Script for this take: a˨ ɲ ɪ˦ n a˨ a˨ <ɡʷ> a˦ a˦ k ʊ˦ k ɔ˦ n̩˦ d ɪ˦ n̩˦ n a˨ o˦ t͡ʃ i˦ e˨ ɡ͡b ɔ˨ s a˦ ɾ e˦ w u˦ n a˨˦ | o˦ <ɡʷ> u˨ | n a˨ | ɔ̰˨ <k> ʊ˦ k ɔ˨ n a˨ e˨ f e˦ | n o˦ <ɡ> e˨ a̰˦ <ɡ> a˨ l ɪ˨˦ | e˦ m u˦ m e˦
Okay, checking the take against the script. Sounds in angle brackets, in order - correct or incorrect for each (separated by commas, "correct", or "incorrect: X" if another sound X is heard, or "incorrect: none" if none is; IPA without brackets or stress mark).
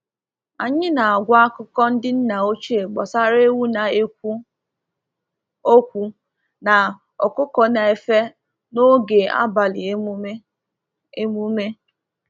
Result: correct, incorrect: kʷ, correct, correct, incorrect: b